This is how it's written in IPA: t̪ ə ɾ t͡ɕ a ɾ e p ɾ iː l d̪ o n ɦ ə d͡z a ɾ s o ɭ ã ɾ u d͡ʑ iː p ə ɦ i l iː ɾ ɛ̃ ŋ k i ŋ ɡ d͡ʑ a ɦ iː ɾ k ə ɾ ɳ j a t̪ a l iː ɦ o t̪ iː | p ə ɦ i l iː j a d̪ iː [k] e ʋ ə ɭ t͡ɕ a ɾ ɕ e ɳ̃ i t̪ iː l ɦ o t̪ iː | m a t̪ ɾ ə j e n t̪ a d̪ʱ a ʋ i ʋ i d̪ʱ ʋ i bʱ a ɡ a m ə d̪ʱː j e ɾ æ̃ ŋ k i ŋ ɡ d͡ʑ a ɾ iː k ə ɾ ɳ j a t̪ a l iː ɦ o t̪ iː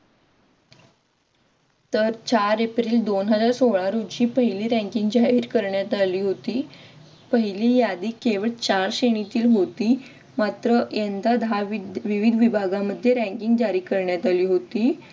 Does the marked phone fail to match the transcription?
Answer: no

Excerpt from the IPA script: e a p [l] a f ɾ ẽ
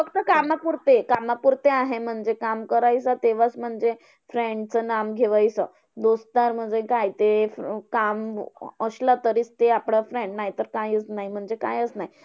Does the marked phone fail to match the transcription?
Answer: yes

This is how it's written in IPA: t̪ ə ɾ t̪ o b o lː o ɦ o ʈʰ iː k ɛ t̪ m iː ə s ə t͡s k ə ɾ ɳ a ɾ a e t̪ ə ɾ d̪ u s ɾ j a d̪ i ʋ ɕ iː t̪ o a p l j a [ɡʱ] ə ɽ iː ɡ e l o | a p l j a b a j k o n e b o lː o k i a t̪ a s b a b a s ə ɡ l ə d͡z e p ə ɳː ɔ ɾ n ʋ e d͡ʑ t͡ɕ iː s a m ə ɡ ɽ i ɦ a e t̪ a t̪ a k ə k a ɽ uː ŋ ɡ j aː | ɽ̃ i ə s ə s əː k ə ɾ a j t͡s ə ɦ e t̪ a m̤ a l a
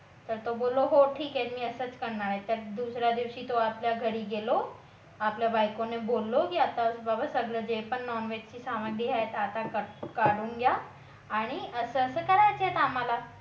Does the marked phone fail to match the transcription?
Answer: no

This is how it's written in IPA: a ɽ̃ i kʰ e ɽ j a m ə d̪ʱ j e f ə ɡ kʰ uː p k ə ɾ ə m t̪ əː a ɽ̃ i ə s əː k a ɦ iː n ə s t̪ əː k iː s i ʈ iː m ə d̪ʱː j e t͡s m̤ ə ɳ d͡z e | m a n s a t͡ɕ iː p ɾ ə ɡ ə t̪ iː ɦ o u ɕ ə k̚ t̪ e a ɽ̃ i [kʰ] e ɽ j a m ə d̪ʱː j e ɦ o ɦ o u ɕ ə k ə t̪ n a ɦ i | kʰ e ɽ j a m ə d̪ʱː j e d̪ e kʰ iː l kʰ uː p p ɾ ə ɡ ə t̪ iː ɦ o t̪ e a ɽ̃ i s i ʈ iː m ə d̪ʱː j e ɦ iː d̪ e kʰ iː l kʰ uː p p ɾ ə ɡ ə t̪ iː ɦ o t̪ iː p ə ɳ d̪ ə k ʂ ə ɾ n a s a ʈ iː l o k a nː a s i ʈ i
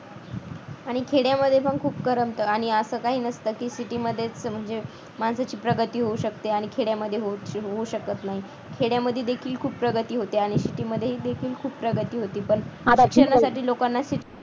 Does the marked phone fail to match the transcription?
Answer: no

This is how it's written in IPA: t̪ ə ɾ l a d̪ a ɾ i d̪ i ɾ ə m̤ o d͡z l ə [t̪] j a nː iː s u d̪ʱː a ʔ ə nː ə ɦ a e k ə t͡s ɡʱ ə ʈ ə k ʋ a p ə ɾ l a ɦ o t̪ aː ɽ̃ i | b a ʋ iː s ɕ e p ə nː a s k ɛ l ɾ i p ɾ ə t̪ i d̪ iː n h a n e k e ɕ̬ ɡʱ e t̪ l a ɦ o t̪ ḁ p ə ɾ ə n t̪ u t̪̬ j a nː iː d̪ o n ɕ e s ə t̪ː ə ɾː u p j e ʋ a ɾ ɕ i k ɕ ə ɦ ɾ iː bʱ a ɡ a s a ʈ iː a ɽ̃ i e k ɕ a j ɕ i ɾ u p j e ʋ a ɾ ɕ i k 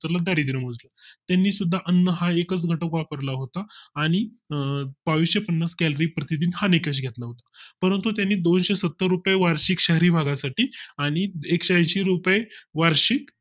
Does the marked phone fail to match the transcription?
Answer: no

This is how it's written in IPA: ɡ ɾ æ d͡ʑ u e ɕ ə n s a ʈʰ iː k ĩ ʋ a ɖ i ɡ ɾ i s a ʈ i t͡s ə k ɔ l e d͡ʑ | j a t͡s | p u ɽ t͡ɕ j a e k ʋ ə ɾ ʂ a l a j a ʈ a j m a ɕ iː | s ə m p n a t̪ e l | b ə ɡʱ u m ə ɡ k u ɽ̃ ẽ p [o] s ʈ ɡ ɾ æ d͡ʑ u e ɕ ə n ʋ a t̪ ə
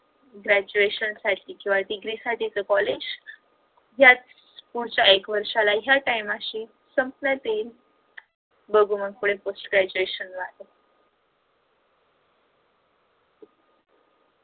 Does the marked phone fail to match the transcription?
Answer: no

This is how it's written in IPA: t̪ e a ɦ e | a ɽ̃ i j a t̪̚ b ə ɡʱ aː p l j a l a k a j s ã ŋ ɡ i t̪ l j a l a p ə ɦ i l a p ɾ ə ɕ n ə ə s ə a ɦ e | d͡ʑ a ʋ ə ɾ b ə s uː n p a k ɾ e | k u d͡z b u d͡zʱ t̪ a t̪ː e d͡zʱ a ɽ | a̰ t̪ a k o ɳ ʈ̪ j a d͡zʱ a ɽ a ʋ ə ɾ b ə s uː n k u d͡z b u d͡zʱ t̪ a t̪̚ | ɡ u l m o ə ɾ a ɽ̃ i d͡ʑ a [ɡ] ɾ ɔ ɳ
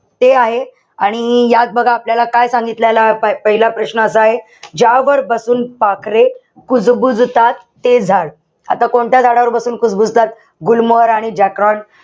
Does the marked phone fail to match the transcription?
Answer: yes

